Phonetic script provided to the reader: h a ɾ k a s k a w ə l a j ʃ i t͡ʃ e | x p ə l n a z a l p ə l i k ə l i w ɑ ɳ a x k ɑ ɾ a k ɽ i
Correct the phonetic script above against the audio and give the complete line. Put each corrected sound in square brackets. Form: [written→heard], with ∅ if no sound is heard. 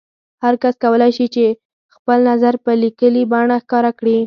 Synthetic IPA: h a ɾ k a s k a w ə l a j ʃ i t͡ʃ e | x p ə l n a z a [l→ɾ] p ə l i k ə l i [w→b] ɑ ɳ a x k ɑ ɾ a k ɽ i